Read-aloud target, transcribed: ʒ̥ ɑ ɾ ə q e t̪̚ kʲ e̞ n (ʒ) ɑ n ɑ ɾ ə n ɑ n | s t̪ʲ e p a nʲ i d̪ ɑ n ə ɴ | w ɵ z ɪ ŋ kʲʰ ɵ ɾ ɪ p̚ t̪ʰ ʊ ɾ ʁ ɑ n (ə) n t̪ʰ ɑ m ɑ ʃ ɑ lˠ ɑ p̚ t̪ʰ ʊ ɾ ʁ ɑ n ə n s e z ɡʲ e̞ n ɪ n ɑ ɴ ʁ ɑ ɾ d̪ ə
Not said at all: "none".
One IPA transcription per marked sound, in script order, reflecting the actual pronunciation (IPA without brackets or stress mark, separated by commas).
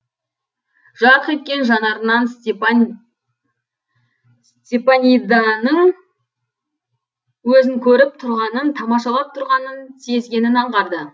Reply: ʒ, ə